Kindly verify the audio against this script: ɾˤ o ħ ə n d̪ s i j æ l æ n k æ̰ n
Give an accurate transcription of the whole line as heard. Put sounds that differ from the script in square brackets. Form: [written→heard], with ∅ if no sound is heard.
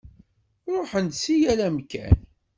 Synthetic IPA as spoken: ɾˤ o ħ ə n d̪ s i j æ l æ [n→m] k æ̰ n

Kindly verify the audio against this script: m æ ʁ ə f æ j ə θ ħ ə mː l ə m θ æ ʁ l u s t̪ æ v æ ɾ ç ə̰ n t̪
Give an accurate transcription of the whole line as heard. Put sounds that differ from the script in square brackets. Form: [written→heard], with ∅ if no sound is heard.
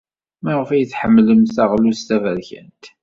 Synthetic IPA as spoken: m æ ʁ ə f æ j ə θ ħ ə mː l ə m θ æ ʁ l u s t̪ æ v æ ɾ ç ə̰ n t̪

